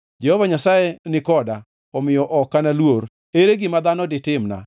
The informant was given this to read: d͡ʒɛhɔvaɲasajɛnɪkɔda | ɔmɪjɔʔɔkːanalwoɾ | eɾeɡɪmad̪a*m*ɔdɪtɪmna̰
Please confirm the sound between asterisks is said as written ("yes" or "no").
no